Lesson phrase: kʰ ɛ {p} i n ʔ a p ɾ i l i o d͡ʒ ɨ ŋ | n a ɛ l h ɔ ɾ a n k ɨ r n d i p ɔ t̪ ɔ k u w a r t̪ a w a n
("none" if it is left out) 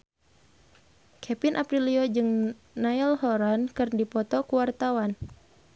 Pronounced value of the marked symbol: p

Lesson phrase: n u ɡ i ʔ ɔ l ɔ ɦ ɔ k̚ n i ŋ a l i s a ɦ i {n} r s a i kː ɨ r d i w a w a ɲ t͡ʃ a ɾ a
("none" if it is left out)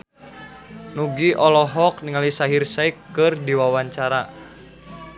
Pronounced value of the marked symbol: none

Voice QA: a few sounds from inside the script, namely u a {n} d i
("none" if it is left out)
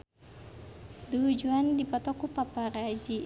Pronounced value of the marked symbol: n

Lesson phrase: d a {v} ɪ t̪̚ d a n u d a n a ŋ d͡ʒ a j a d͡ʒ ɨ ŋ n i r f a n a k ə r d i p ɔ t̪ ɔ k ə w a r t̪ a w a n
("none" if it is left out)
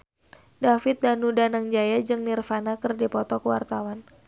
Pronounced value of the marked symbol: f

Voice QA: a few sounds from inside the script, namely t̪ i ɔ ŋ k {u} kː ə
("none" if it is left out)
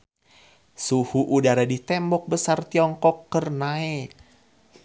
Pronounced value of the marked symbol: ɔ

